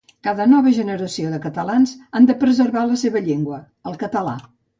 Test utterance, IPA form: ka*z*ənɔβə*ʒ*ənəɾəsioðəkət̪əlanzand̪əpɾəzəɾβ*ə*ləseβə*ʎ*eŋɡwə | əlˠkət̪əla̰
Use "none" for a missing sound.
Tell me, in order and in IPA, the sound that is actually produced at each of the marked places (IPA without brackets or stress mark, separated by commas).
ð, ʒ, a, ʎ